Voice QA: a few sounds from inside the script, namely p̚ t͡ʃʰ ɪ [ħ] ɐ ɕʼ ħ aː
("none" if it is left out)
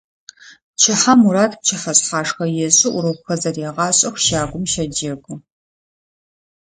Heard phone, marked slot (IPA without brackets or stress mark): ħ